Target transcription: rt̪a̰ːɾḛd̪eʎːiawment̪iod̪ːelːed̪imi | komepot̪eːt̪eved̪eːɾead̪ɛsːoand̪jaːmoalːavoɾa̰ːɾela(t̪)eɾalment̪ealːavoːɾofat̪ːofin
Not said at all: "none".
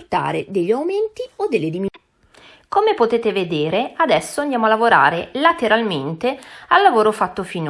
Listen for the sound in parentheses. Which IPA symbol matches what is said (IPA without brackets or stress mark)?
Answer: t̪